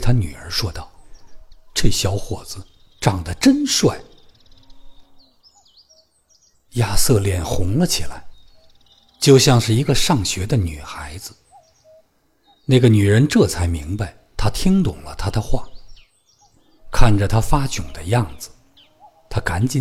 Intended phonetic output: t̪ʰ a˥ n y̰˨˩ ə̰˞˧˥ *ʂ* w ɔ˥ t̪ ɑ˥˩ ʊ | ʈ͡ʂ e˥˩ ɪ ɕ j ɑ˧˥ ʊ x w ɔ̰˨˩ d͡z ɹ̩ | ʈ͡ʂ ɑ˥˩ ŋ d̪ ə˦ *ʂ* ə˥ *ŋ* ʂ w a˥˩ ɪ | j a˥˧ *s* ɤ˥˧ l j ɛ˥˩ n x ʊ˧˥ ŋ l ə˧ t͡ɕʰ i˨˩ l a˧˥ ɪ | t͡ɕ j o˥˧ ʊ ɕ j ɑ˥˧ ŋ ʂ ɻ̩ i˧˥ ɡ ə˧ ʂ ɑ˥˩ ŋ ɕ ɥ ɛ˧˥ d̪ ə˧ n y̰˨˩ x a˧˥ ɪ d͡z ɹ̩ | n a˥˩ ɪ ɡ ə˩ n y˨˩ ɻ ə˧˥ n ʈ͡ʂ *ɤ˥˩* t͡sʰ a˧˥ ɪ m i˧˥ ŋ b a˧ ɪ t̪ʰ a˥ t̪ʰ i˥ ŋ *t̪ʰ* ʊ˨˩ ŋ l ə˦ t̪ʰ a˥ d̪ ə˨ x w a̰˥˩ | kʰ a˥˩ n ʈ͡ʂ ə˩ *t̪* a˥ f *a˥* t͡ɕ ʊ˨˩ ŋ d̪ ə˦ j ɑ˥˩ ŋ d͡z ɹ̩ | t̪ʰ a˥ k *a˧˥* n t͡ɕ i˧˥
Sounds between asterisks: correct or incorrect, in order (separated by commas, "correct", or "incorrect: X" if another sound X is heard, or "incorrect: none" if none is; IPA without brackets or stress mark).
correct, incorrect: ʈ͡ʂ, incorrect: n, correct, correct, incorrect: t̪, incorrect: t̪ʰ, correct, correct